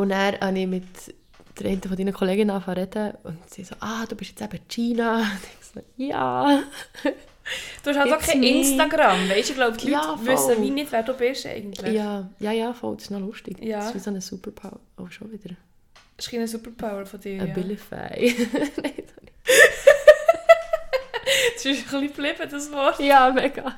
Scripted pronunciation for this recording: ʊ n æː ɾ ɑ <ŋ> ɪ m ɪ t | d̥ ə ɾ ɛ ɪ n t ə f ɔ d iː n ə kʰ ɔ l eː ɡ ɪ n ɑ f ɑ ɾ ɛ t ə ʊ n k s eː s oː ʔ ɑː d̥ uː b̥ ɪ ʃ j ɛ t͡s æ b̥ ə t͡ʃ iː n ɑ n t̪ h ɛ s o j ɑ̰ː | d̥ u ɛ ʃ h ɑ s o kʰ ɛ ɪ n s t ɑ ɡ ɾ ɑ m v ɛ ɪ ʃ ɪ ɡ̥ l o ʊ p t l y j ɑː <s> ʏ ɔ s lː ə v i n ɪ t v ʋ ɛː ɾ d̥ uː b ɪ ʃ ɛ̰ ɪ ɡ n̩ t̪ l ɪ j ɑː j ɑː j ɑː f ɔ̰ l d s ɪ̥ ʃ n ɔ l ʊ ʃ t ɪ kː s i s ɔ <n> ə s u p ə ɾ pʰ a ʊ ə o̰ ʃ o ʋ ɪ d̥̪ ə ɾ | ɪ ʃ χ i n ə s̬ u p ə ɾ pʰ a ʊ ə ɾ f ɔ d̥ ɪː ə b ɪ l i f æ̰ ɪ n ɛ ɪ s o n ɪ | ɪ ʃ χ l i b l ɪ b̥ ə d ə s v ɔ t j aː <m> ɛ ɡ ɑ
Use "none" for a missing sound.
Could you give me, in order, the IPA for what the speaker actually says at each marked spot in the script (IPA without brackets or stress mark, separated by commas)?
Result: n, f, n, m